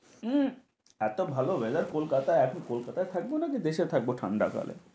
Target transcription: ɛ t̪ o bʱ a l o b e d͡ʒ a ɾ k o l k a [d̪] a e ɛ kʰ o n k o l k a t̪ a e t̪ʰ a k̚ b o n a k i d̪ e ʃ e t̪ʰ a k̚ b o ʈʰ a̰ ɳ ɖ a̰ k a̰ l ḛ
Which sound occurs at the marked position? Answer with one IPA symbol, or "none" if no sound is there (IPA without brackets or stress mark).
t̪